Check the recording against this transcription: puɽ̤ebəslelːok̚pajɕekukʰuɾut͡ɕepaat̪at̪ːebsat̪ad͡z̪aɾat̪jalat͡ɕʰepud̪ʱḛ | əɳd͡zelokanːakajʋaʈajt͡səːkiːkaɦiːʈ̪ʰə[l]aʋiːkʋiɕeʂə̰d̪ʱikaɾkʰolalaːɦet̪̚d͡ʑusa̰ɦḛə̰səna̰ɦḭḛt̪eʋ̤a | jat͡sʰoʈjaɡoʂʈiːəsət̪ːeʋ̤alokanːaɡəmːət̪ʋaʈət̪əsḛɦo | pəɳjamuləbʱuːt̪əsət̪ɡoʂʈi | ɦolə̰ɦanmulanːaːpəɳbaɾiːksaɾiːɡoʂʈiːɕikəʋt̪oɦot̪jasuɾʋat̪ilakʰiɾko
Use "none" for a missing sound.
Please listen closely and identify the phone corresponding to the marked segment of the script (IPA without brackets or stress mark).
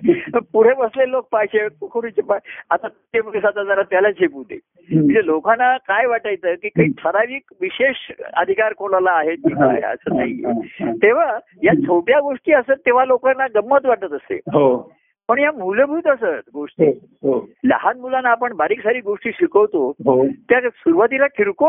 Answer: ɾ